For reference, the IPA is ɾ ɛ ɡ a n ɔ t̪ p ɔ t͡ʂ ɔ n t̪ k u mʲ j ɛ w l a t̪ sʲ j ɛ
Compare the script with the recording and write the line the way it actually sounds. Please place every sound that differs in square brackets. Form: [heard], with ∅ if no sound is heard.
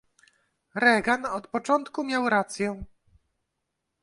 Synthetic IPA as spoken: ɾ ɛ ɡ a n ɔ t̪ p ɔ t͡ʂ ɔ n t̪ k u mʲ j [a] w [ɾ] a t̪ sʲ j ɛ

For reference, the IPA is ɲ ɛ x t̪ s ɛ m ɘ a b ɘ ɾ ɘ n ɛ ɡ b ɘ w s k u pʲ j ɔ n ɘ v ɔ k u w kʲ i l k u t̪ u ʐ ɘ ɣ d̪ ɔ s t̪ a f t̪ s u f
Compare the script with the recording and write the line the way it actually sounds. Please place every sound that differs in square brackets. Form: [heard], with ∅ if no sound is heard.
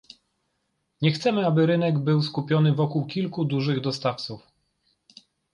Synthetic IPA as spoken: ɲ ɛ x t̪ s ɛ m ɘ a b ɘ ɾ ɘ n ɛ ɡ b ɘ w s k u pʲ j ɔ n ɘ v ɔ k u w kʲ i l k u [d̪] u ʐ ɘ ɣ d̪ ɔ s t̪ a f t̪ s u f

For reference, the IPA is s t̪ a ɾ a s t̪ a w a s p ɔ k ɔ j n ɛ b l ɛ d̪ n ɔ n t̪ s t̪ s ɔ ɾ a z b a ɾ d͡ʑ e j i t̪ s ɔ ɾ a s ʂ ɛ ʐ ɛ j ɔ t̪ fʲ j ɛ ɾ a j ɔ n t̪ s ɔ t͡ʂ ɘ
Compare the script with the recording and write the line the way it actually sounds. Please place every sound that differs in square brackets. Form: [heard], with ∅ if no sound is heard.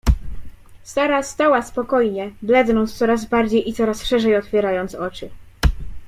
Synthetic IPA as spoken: s t̪ a ɾ a s t̪ a w a s p ɔ k ɔ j [ɲ] ɛ b l ɛ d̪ n ɔ n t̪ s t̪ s ɔ ɾ a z b a ɾ d͡ʑ e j i t̪ s ɔ ɾ a s ʂ ɛ ʐ ɛ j ɔ t̪ fʲ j ɛ ɾ a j ɔ n t̪ s ɔ t͡ʂ ɘ

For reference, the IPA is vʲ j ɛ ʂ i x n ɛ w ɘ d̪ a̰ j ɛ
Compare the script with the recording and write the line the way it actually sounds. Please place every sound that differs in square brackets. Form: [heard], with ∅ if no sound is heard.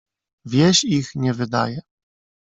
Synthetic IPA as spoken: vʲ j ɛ [ɕ] i x [ɲ] ɛ [v] ɘ d̪ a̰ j ɛ

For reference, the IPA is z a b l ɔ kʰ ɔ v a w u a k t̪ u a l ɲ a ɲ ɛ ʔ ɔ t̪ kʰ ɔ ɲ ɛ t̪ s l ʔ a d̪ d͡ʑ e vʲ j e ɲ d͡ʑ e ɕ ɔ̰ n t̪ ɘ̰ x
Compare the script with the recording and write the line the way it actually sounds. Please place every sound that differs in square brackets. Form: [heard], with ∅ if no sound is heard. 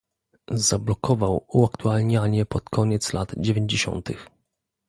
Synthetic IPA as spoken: z a b l ɔ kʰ ɔ v a w u a k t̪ u a l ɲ a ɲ ɛ [p] ɔ t̪ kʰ ɔ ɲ ɛ t̪ s l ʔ a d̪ d͡ʑ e vʲ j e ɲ d͡ʑ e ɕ ɔ̰ n t̪ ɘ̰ x

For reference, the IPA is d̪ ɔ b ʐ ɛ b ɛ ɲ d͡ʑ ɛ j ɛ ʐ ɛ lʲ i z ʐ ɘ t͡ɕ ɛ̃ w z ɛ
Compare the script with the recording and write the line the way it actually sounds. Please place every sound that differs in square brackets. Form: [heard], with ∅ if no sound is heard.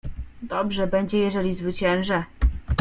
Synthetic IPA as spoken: d̪ ɔ b ʐ ɛ b ɛ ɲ d͡ʑ ɛ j ɛ ʐ ɛ lʲ i z [v] ɘ t͡ɕ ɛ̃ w [ʐ] ɛ

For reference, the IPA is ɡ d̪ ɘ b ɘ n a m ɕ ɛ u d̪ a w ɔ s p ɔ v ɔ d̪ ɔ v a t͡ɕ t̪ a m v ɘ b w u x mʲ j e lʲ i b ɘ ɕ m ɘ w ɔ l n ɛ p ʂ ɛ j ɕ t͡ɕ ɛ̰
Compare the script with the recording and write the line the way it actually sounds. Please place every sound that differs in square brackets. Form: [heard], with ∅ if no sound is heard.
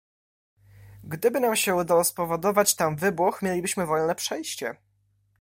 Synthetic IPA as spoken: ɡ d̪ ɘ b ɘ n a m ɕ ɛ u d̪ a w ɔ s p ɔ v ɔ d̪ ɔ v a t͡ɕ t̪ a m v ɘ b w u x mʲ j e lʲ i b ɘ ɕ m ɘ [v] ɔ l n ɛ p ʂ ɛ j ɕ t͡ɕ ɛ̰

